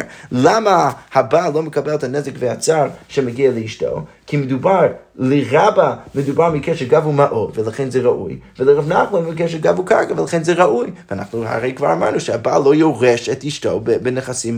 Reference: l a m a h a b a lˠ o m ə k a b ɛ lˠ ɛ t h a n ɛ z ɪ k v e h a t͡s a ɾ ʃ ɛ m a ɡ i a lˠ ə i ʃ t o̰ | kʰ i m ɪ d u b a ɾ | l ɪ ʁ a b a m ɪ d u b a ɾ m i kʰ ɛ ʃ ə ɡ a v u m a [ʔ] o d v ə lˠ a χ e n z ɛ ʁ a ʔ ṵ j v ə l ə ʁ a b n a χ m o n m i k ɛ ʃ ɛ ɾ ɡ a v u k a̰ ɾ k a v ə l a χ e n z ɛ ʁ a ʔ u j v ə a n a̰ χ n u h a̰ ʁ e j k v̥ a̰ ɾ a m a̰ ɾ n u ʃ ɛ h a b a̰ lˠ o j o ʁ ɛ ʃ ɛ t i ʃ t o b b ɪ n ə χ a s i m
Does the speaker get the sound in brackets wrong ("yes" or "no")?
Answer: no